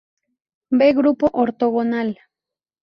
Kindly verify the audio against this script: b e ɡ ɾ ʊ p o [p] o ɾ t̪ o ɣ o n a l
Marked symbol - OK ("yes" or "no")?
no